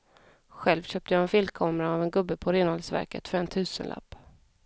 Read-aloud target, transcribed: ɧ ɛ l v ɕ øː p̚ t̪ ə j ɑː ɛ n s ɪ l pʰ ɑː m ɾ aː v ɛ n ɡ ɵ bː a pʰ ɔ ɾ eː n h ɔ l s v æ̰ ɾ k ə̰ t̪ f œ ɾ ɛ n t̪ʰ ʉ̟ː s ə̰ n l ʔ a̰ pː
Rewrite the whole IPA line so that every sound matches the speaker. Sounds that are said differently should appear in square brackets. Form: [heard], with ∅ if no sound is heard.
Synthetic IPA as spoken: ɧ ɛ l v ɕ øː p̚ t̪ ə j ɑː ɛ n [f] ɪ l [kʰ] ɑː m ɾ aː v ɛ n ɡ ɵ bː [ə] pʰ ɔ ɾ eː n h ɔ l s v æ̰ ɾ k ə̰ t̪ f œ ɾ ɛ n t̪ʰ ʉ̟ː s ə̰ n l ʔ a̰ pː